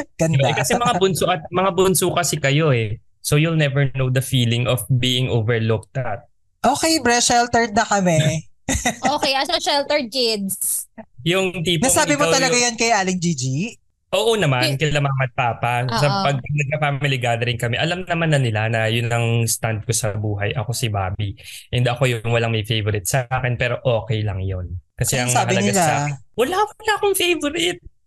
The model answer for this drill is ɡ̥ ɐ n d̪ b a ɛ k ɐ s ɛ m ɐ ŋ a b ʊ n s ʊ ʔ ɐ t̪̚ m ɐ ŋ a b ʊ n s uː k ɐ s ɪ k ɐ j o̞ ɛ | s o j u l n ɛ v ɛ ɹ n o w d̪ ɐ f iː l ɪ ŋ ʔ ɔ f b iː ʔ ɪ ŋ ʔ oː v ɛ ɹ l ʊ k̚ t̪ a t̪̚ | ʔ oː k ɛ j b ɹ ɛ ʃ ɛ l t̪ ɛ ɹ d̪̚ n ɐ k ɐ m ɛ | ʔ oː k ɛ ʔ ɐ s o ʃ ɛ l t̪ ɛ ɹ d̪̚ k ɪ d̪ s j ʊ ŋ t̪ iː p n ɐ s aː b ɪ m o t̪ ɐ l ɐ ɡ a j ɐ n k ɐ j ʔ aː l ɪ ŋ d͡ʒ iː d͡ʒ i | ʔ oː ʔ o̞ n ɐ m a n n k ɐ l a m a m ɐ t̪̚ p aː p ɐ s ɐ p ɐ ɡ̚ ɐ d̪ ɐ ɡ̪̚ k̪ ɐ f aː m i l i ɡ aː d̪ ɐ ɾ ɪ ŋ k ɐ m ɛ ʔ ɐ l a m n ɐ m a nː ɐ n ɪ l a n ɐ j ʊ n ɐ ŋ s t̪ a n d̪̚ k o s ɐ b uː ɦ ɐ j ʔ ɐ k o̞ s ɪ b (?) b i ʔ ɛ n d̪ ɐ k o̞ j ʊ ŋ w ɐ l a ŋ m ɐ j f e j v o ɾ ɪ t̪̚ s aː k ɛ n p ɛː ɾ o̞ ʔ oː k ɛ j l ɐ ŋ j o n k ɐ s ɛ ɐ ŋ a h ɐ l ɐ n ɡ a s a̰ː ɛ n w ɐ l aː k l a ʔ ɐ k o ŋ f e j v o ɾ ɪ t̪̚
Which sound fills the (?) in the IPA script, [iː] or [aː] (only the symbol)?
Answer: aː